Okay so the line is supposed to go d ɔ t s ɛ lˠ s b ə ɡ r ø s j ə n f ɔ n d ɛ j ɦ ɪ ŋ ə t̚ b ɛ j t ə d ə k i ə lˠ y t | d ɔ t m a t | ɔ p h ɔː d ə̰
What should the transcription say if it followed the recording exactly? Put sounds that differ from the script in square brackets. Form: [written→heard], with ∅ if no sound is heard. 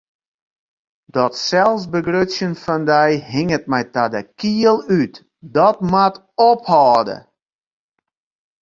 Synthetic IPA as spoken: d ɔ t s ɛ lˠ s b ə ɡ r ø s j ə n f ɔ n d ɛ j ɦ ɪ ŋ ə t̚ [b→m] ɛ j t [ə→a] d ə k i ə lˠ y t | d ɔ t m a t | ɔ p h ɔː d ə̰

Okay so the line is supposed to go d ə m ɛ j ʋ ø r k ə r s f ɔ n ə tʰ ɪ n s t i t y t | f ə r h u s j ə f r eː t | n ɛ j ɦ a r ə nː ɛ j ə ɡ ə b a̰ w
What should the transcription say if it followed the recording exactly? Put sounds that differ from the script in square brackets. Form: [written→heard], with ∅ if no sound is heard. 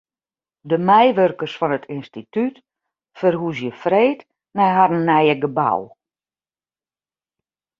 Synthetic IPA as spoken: d ə m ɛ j ʋ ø r k ə r s f ɔ n ə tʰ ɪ n s t i t y t | f ə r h u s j ə f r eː t | n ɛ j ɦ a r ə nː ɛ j ə ɡ ə b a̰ w

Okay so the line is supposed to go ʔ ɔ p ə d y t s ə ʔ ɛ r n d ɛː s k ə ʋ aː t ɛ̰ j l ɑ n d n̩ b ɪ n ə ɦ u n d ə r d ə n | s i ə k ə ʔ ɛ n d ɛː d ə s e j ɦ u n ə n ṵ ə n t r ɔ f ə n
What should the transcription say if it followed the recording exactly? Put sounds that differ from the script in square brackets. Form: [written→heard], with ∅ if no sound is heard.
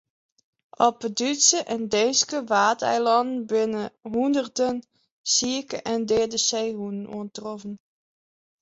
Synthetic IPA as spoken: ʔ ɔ p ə d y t s ə ʔ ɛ [r→∅] n d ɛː s k ə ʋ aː t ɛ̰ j l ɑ n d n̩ b ɪ n ə ɦ u n d ə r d ə n | s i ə k ə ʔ ɛ n d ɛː d ə s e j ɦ u n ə n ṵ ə n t r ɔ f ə n

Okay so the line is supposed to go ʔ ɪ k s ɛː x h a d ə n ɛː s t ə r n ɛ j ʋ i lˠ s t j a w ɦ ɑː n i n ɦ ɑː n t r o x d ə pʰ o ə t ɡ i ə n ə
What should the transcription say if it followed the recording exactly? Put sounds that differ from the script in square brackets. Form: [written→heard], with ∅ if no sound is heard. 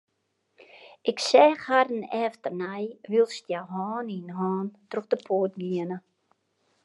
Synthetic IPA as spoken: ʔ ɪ k s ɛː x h a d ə n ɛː [s→f] t ə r n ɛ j ʋ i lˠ s t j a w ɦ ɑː n i n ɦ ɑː n t r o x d ə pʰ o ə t ɡ i ə n ə

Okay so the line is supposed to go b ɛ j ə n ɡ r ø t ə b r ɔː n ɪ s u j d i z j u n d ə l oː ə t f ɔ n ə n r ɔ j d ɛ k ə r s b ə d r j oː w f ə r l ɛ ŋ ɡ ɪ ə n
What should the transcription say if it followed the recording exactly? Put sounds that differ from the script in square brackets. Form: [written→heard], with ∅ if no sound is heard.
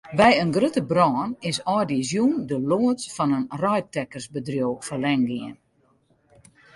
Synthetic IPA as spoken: b ɛ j ə n ɡ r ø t ə b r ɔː n ɪ s [u→ɔ] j d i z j u n d ə l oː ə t f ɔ n ə n r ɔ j [d→t] ɛ k ə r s b ə d r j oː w f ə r l ɛ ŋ ɡ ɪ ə n

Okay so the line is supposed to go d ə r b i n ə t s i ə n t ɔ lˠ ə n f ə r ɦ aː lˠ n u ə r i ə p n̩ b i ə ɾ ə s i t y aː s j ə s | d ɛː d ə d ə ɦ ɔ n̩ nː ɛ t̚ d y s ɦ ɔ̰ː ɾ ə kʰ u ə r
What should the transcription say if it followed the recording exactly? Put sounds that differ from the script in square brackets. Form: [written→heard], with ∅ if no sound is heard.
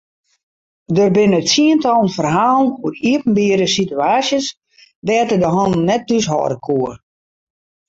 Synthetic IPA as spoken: d ə r b [i→ɪ] n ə t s i ə n t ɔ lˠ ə n f ə r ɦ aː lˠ n u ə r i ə p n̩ b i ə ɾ ə s i t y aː s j ə s | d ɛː [d→t] ə d ə ɦ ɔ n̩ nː ɛ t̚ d y s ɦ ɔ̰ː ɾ ə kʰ u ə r

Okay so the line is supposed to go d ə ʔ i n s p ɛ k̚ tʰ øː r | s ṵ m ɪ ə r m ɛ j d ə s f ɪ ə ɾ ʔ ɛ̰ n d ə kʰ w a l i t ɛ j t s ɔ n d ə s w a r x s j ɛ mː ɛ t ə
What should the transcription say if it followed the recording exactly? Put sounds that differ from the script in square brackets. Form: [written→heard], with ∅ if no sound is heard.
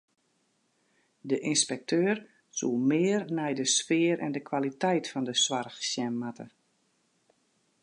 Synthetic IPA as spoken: d ə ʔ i n s p ɛ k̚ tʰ øː r | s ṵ m ɪ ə r [m→n] ɛ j d ə s f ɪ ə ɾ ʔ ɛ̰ n d ə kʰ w a l i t ɛ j t [s→f] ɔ n d ə s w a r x s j ɛ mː [ɛ→a] t ə

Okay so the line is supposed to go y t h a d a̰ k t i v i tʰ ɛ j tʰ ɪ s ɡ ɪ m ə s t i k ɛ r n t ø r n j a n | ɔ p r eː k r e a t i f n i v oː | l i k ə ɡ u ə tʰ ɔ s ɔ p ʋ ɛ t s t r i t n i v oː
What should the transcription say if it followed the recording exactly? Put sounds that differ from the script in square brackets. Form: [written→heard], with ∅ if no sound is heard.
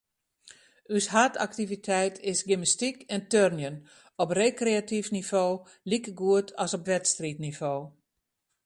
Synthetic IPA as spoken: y [t→s] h a [d→t] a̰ k t i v i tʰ ɛ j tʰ ɪ s ɡ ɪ m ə s t i k ɛ [r→∅] n t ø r n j [a→ə] n | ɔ p r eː k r e a t i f n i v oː | l i k ə ɡ u ə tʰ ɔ s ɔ p ʋ ɛ t s t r i t n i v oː

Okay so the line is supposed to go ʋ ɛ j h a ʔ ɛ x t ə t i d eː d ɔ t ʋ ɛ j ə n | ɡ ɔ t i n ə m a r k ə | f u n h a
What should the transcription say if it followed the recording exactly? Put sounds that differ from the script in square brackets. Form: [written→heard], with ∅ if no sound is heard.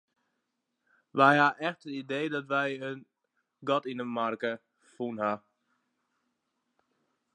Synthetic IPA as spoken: ʋ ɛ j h a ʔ ɛ x t ə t i d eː d ɔ t ʋ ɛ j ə n | ɡ ɔ t i n ə m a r k ə | f u n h a

